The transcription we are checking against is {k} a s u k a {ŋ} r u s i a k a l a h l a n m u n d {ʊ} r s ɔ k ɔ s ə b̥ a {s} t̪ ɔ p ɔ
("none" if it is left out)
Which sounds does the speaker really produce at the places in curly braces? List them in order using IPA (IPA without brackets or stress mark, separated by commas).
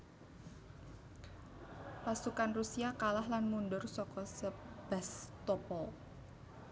p, n, ʊ, s